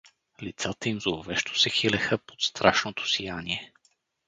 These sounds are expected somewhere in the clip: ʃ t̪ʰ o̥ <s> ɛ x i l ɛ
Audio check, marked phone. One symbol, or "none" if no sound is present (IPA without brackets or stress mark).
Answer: s